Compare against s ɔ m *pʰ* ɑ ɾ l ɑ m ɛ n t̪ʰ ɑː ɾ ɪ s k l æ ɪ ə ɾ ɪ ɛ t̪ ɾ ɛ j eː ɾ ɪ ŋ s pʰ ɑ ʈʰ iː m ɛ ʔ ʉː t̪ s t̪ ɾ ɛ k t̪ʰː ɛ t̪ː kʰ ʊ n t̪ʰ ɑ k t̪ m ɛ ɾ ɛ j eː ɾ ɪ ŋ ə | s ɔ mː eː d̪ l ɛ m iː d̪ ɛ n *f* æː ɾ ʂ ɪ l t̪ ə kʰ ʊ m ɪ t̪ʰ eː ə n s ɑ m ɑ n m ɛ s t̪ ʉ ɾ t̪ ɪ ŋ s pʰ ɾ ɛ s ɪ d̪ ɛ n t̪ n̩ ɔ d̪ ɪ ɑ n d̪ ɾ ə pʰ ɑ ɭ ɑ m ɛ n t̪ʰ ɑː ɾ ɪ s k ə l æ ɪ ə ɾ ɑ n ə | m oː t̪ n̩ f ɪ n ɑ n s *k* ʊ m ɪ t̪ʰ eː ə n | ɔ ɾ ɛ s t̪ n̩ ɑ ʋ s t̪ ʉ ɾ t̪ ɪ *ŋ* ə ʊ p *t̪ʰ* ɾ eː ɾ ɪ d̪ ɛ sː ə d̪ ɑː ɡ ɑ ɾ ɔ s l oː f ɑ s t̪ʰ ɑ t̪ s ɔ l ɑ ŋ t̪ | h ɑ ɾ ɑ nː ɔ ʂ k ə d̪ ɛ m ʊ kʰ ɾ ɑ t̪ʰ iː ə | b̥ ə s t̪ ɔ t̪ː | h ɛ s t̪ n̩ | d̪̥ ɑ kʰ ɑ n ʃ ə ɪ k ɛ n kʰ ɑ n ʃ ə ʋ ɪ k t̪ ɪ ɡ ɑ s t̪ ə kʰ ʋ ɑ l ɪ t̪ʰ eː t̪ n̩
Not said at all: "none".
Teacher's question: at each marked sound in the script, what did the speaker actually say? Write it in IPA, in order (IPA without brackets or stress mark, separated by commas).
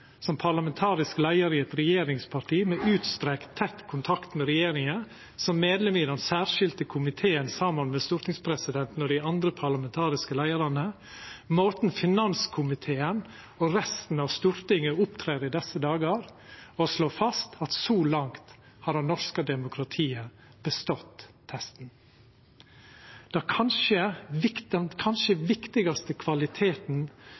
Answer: pʰ, s, kʰ, ŋ, t̪ʰ